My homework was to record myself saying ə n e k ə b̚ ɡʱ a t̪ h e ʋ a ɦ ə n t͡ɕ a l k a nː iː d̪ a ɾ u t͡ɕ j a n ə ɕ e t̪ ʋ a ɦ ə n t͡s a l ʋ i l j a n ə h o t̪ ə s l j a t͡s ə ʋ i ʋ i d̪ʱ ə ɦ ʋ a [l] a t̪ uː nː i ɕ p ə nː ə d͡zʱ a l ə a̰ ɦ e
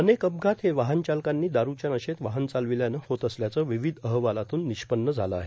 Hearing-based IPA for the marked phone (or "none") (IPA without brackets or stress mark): l